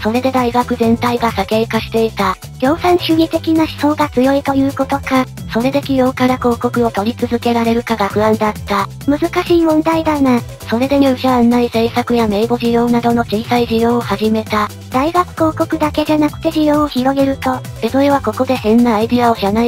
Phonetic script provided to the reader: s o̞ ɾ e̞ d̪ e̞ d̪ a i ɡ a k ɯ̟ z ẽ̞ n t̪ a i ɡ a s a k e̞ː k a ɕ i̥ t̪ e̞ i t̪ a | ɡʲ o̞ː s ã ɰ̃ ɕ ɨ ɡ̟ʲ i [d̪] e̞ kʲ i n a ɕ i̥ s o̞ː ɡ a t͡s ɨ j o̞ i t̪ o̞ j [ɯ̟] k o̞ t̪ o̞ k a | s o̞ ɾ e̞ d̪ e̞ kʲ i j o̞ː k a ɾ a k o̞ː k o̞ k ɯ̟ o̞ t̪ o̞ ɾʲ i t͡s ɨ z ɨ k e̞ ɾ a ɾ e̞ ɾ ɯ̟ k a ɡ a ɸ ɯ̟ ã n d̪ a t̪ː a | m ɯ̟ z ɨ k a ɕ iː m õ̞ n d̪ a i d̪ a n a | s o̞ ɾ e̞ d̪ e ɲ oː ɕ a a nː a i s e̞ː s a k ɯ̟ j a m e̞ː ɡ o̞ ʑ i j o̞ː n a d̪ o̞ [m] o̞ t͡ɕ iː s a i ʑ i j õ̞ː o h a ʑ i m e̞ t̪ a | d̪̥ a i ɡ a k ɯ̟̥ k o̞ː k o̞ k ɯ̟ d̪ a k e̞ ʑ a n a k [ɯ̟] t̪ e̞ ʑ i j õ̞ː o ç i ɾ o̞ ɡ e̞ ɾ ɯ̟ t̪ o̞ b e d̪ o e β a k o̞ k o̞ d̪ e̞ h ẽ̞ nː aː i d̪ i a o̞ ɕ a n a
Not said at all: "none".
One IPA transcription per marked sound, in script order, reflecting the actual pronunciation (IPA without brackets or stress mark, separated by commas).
t̪, ɯ̟ː, n, ɯ̟